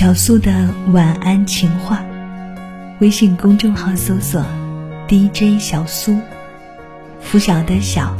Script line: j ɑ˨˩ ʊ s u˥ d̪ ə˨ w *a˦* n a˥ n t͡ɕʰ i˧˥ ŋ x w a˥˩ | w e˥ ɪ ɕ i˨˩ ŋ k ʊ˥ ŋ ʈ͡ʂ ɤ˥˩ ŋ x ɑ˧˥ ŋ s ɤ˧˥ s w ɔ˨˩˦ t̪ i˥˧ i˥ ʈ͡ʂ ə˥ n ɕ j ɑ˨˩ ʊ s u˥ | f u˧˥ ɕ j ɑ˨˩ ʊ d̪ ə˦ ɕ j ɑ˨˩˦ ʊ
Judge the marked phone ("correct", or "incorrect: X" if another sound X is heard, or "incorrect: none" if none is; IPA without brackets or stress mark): incorrect: a˨˩